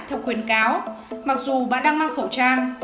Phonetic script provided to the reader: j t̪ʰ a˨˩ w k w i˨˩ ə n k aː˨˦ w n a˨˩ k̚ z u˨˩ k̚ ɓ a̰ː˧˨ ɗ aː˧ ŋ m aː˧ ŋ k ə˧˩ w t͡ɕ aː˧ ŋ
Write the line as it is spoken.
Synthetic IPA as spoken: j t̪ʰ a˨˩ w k w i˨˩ ə n k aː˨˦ w m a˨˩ k̚ z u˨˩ ɓ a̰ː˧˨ ɗ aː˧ ŋ m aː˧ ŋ x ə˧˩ w t͡ɕ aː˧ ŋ